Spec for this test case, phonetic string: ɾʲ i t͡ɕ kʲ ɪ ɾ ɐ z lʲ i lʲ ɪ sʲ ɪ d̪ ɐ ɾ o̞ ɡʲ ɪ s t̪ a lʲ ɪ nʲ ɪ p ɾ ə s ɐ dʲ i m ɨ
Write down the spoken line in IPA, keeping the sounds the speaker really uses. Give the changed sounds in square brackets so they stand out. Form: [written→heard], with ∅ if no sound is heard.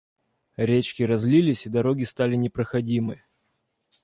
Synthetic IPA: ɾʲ [i→e] t͡ɕ kʲ ɪ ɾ ɐ z lʲ i lʲ ɪ sʲ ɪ d̪ ɐ ɾ o̞ ɡʲ ɪ s t̪ a lʲ ɪ nʲ ɪ p ɾ ə [s→x] ɐ dʲ i m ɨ